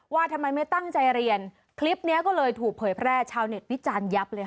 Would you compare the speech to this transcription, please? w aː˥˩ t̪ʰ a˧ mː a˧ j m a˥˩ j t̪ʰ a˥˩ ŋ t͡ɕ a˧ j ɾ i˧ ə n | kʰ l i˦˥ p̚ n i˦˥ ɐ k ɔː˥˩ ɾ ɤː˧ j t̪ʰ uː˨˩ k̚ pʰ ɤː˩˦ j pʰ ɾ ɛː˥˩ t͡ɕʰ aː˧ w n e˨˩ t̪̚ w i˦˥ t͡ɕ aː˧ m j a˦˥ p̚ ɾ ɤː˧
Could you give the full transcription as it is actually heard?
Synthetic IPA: w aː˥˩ t̪ʰ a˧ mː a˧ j m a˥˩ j t̪ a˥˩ ŋ t͡ɕ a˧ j ɾ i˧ ə n | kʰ l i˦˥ p̚ n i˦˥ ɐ k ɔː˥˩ l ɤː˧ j t̪ʰ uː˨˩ k̚ pʰ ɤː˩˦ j pʰ ɾ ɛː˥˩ t͡ɕʰ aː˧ w n e˨˩ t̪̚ w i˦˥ t͡ɕ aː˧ n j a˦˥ p̚ l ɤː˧

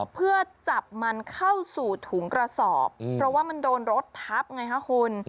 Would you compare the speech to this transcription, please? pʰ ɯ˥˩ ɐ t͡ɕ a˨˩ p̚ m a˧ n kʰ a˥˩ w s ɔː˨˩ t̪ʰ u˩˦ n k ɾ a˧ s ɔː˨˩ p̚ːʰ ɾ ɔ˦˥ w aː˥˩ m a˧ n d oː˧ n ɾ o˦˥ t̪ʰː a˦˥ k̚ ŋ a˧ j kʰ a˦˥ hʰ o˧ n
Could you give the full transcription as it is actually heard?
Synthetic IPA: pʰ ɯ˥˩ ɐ t͡ɕ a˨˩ p̚ m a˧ n kʰ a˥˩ w s uː˨˩ t̪ʰ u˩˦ ŋ k ɾ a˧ s ɔː˨˩ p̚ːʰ ɾ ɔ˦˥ w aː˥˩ m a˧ n d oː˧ n ɾ o˦˥ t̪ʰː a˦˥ p̚ ŋ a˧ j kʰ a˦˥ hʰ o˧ n

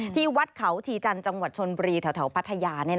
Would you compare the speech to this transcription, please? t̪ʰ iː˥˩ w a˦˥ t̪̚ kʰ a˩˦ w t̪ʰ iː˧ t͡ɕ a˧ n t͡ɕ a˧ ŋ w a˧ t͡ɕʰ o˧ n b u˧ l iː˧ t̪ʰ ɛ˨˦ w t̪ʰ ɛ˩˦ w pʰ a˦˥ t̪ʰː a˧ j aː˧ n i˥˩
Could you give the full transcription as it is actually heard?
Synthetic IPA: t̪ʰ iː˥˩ w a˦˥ t̪̚ kʰ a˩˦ w t̪ʰ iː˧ t͡ɕ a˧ n t͡ɕ a˧ ŋ w a˨˩ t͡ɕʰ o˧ n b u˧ ɾ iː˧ t̪ʰ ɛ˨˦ w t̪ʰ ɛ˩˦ w pʰ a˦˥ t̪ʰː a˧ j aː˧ n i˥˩

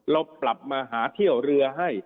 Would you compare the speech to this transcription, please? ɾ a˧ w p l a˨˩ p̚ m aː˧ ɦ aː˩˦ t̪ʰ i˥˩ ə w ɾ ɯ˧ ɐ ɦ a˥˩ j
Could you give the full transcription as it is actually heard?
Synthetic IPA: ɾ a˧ w p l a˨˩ p̚ m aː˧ ɦ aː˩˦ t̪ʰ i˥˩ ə w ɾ ɯ˧ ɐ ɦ a˥˩ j

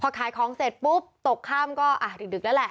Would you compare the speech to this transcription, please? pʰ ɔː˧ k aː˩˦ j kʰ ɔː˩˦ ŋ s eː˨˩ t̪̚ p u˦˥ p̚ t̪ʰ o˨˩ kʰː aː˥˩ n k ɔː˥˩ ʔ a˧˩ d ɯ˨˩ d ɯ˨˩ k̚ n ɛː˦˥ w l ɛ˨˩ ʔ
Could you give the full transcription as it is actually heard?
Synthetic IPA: pʰ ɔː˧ kʰ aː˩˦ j kʰ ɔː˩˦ ŋ s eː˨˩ t̪̚ p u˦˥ p̚ t̪ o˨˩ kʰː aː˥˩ m k ɔː˥˩ ʔ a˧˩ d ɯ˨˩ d ɯ˨˩ k̚ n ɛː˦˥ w l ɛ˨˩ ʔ

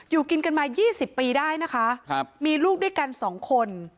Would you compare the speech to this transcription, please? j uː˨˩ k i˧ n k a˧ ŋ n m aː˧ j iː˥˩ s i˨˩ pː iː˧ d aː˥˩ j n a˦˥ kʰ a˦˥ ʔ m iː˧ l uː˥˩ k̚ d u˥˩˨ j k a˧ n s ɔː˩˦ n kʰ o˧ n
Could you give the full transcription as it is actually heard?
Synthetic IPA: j uː˨˩ k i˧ n k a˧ n m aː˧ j iː˥˩ s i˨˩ pː iː˧ d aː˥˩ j n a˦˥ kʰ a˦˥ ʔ m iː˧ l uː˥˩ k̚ d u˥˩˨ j k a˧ n s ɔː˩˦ ŋ kʰ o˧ n

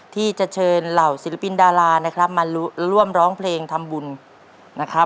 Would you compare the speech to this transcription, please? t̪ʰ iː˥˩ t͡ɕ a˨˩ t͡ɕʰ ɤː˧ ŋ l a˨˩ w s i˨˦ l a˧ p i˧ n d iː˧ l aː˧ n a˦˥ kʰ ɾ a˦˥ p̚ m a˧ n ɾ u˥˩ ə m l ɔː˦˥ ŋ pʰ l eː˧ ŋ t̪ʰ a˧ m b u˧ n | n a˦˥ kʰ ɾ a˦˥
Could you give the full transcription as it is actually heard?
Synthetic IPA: t̪ʰ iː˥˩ t͡ɕ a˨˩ t͡ɕʰ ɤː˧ n l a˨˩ w s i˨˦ l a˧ p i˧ n d aː˧ l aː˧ n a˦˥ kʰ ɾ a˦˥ p̚ m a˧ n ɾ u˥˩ ə m ɾ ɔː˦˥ ŋ pʰ l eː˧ ŋ t̪ʰ a˧ m b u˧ n | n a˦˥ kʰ ɾ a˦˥

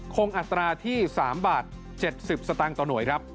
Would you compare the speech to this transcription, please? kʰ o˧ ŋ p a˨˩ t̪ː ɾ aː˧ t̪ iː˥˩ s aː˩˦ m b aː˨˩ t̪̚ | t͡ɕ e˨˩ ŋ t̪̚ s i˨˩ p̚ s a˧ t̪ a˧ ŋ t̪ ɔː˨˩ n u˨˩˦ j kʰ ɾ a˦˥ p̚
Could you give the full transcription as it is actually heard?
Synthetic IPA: kʰ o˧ ŋ ʔ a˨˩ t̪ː ɾ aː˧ t̪ʰ iː˥˩ s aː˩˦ m b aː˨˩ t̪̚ | t͡ɕ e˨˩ t̪̚ s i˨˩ p̚ s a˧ t̪ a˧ ŋ t̪ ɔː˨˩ n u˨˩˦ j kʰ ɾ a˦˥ p̚

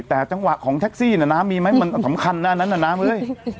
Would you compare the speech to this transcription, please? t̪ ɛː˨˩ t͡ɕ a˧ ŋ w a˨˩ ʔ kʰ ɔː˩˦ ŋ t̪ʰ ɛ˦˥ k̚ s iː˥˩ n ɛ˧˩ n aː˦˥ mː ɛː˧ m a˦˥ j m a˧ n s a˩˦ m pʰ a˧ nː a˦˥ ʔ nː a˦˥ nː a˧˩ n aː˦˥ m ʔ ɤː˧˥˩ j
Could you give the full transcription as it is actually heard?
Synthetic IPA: t̪ ɛː˨˩ t͡ɕ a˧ ŋ w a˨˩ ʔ kʰ ɔː˩˦ ŋ t̪ʰ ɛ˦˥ k̚ s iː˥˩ n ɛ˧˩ n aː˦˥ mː iː˧ m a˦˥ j m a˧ n s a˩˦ m kʰ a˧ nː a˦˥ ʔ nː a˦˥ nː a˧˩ n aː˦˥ m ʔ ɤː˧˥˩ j

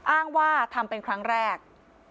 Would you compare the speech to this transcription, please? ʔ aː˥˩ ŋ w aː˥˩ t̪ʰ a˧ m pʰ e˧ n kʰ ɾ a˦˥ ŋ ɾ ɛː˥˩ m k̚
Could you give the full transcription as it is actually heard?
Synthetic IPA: ʔ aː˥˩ ŋ w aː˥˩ t̪ʰ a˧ m p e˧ n kʰ ɾ a˦˥ ŋ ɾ ɛː˥˩ k̚

